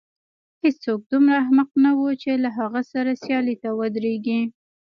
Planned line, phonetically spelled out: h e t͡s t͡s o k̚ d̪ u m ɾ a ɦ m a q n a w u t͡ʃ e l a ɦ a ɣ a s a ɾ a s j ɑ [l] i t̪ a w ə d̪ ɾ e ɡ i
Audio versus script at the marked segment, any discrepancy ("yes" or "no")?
no